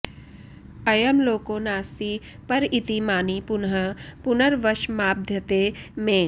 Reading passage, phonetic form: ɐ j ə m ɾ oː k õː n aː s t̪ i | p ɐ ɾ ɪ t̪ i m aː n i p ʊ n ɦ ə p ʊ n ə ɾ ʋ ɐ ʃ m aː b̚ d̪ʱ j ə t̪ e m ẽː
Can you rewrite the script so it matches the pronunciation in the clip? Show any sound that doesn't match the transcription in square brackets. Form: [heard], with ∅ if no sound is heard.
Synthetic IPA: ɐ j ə m [l] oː k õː n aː s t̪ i | p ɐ ɾ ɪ t̪ i m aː n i p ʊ n ɦ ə p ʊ n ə ɾ ʋ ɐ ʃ m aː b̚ d̪ʱ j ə t̪ e m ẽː